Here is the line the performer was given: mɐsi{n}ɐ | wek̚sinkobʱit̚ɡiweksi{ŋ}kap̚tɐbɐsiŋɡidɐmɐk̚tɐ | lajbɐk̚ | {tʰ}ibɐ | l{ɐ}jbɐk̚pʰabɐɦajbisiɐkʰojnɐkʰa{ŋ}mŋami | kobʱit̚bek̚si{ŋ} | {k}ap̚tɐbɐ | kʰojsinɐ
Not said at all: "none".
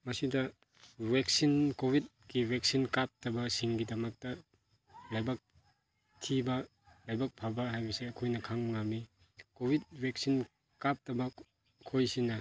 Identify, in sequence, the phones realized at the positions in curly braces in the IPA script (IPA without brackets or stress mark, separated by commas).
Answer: d, n, tʰ, a, ŋ, n, k